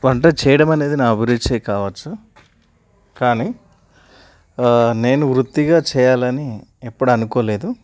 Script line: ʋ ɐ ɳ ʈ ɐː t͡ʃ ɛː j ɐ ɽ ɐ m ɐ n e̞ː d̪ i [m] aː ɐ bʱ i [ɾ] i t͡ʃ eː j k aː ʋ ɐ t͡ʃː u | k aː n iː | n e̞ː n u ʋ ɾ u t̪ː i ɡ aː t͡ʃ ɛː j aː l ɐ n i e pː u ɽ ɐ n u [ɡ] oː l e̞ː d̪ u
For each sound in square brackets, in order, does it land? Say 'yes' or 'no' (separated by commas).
no, yes, no